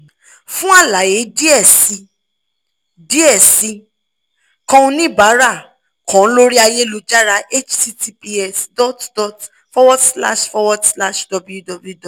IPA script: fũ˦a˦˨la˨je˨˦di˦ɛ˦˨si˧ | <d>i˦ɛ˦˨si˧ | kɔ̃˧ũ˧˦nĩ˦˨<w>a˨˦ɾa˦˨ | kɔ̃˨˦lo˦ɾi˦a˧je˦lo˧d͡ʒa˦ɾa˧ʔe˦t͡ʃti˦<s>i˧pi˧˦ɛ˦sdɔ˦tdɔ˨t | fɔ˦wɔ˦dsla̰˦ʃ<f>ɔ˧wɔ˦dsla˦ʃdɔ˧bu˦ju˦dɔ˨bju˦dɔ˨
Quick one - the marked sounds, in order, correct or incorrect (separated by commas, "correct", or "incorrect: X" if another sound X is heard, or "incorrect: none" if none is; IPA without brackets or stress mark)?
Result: correct, incorrect: b, incorrect: t, correct